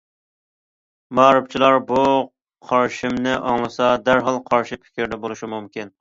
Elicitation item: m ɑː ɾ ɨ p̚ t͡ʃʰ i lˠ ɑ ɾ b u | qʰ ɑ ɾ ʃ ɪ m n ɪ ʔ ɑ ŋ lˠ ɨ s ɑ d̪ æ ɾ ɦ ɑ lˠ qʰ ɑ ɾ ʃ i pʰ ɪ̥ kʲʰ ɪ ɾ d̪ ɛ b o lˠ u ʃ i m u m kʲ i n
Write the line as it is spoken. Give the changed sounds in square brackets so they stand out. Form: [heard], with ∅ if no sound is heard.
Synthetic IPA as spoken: m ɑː ɾ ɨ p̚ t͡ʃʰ i lˠ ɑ ɾ b u | qʰ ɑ ɾ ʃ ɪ m n ɪ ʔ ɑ ŋ lˠ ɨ s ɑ d̪ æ ɾ ɦ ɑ lˠ qʰ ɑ ɾ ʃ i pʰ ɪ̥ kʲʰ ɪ ɾ d̪ ɛ b o lˠ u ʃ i m u m kʲ i n